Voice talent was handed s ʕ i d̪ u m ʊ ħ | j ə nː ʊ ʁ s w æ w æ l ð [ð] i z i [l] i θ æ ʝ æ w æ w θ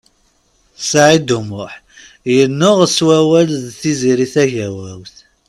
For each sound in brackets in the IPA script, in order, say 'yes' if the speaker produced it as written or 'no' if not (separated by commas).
no, no